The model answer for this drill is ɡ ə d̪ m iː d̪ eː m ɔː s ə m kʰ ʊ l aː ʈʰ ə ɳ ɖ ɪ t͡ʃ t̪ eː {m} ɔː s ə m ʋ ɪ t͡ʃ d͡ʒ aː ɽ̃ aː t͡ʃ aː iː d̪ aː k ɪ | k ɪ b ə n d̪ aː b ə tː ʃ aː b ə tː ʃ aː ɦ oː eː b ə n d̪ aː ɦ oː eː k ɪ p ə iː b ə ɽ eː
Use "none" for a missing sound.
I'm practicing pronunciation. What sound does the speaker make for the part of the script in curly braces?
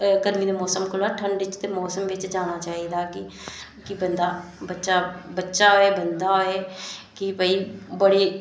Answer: m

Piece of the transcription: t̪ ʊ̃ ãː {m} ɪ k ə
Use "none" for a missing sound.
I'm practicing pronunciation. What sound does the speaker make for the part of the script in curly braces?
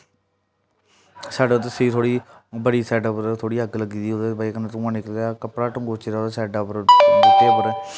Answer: n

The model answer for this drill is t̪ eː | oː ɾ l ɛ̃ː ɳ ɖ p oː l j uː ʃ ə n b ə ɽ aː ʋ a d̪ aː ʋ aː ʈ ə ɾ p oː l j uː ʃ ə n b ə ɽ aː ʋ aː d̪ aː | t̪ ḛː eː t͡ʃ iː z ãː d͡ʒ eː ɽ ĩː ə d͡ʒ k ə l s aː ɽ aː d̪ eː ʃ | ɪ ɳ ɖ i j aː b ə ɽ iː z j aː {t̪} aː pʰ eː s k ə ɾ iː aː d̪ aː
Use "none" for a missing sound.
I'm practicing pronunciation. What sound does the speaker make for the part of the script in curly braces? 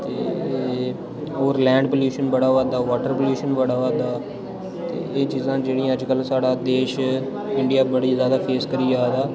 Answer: d̪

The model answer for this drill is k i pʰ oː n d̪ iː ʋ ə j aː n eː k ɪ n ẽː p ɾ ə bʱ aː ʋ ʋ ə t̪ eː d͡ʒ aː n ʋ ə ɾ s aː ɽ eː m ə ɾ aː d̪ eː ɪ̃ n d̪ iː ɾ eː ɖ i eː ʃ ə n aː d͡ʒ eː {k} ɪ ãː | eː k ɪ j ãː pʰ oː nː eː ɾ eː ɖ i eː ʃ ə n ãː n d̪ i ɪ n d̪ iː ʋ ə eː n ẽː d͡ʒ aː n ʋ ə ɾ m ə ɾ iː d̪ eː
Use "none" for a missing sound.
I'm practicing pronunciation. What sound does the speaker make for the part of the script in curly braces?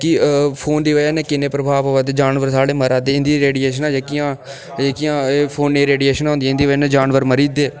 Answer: k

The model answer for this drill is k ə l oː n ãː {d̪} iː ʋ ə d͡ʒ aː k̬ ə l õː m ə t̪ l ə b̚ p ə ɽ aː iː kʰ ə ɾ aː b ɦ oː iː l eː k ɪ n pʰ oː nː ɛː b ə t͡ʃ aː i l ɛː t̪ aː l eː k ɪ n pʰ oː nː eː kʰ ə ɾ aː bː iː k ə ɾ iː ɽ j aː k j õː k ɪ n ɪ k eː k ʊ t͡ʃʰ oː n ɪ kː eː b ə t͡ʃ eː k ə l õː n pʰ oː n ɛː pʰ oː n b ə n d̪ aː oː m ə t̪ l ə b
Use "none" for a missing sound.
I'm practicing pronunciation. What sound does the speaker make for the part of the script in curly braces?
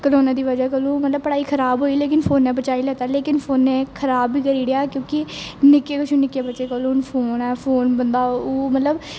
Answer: d̪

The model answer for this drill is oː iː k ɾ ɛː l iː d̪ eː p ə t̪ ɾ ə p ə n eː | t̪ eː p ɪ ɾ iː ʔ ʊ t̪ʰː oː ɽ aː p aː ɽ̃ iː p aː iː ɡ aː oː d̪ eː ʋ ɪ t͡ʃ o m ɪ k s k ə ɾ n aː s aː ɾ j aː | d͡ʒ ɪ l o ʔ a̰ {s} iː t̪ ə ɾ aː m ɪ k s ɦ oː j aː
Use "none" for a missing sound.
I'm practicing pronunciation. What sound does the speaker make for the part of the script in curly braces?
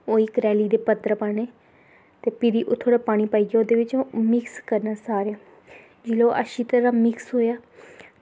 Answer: ʃ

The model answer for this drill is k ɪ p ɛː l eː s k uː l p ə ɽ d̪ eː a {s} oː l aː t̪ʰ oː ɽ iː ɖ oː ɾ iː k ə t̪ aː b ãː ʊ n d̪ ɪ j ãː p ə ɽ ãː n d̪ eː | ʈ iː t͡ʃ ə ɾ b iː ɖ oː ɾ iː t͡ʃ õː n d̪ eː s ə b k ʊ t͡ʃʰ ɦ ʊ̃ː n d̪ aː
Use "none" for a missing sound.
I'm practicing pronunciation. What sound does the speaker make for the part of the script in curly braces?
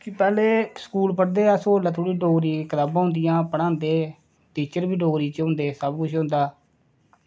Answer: s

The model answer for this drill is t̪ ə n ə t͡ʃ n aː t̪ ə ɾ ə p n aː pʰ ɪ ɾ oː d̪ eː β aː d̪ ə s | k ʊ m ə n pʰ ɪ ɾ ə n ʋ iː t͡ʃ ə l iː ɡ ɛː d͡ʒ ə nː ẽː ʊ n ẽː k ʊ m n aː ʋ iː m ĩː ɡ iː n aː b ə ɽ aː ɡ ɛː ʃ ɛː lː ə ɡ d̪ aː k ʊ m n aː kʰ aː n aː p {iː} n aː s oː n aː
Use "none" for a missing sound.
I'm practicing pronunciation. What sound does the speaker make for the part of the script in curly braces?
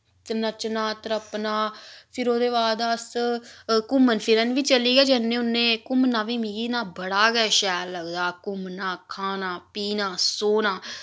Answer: iː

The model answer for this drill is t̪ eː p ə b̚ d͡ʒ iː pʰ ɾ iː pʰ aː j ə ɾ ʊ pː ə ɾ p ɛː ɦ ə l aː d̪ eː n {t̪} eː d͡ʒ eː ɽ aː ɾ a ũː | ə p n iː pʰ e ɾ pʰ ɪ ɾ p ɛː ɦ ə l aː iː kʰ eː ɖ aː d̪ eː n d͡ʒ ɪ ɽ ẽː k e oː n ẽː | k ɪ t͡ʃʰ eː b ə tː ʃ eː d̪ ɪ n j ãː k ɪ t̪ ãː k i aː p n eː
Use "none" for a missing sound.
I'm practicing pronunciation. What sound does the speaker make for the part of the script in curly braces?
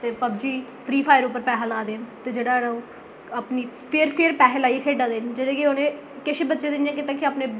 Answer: t̪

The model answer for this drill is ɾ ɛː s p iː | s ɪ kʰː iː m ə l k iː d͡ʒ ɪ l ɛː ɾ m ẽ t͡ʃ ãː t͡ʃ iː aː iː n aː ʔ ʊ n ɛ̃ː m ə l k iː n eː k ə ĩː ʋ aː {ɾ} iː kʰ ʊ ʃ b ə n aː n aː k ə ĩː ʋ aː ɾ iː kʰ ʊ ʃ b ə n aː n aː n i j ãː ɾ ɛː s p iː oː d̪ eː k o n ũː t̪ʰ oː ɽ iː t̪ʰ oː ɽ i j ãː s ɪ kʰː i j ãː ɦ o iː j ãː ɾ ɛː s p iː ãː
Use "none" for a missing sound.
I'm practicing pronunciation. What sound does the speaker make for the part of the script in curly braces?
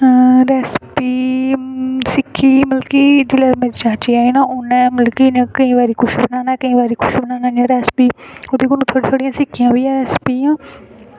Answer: ɾ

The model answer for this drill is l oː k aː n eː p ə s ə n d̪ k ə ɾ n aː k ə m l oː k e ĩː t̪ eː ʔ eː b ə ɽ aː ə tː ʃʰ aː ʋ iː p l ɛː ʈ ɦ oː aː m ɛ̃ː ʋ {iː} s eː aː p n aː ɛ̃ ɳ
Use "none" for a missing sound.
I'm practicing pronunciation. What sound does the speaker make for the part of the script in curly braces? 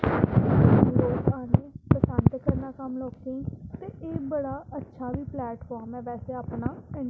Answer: ɛː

